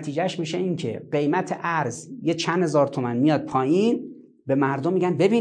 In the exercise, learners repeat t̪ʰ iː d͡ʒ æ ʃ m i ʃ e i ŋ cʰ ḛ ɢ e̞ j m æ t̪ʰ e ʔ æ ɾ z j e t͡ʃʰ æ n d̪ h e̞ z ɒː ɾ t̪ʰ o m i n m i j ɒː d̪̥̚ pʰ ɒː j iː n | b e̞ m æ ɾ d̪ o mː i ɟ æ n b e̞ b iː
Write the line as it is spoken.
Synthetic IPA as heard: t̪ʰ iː d͡ʒ æ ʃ m i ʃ e i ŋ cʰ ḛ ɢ e̞ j m æ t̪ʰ e ʔ æ ɾ z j e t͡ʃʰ æ n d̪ h e̞ z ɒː ɾ t̪ʰ o m æ n m i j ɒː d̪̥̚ pʰ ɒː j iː n | b e̞ m æ ɾ d̪ o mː i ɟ æ n b e̞ b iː